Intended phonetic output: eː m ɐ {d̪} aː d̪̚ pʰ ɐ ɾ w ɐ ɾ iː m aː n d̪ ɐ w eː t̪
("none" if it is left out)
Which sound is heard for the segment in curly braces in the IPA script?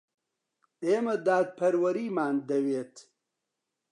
d̪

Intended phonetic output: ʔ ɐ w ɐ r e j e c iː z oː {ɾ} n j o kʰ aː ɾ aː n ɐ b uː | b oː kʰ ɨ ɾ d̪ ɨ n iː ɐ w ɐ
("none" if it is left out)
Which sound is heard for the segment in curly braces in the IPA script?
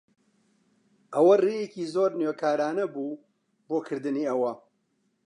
ɾ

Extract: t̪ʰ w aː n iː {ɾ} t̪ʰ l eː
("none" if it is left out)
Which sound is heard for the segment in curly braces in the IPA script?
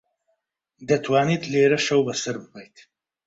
none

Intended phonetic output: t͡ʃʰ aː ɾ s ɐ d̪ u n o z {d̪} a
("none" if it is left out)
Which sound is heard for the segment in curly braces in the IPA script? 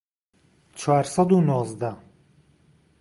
d̪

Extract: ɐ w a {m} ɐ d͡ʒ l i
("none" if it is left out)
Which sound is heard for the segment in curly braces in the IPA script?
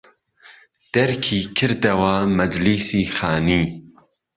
m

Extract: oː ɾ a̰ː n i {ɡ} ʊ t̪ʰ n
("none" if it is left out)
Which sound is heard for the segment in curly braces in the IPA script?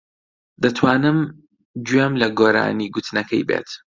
ɡ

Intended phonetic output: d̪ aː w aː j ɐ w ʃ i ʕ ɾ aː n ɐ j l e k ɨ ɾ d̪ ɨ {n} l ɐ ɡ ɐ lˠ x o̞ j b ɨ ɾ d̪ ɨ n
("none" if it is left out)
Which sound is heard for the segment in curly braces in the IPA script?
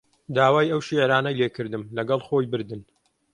m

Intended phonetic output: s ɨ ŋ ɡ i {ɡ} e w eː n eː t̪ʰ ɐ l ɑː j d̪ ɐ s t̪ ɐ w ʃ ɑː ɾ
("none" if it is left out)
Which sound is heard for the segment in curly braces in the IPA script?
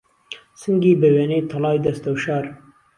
b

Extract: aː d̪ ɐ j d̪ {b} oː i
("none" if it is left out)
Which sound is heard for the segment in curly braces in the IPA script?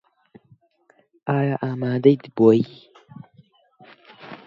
b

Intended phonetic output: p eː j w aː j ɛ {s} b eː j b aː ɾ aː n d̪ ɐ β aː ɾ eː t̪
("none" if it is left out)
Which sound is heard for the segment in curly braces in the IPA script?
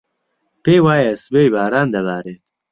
s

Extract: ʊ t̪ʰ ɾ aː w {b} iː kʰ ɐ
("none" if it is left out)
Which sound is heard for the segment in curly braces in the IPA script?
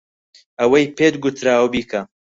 b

